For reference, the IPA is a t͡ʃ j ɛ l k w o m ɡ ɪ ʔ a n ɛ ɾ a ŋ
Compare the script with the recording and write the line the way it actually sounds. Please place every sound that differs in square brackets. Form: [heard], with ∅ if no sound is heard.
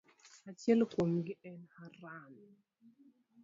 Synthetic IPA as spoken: a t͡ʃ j ɛ l k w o m ɡ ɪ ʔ [ɛ] n [a] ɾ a [n]